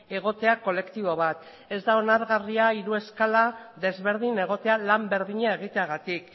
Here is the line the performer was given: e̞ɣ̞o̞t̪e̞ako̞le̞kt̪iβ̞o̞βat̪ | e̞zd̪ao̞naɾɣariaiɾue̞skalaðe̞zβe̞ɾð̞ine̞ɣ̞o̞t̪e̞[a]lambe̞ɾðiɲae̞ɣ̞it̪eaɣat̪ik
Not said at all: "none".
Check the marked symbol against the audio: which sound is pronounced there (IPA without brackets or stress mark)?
a